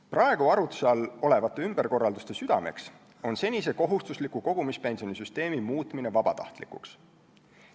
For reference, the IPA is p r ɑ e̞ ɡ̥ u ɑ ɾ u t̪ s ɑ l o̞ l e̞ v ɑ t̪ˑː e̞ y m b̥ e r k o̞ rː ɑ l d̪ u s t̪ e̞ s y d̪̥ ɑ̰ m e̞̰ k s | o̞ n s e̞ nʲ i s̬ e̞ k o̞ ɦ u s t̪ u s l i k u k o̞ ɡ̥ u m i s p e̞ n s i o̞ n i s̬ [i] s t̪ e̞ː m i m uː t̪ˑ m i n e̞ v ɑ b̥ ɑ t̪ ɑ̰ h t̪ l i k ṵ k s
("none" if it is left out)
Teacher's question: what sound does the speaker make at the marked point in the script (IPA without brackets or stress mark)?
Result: y